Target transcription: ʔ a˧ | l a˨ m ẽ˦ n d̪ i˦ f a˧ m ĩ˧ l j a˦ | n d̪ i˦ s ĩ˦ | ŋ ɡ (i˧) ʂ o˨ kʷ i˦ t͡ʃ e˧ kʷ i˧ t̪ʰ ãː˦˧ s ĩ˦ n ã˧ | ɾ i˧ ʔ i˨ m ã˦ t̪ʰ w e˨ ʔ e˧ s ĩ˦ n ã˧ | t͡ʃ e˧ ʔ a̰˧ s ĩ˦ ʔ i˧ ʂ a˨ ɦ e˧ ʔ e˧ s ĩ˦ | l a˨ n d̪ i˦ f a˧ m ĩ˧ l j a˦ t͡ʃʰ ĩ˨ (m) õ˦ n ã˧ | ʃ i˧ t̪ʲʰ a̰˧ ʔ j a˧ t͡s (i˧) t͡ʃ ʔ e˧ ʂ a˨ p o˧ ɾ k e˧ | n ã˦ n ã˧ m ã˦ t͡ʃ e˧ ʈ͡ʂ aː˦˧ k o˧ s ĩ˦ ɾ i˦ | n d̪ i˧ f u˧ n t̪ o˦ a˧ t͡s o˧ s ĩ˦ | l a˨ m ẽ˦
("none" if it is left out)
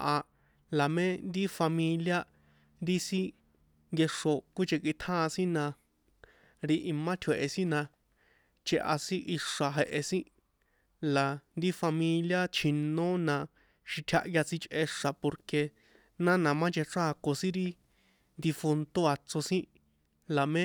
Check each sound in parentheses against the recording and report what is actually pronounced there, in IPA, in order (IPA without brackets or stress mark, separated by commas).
e˧, n, i˧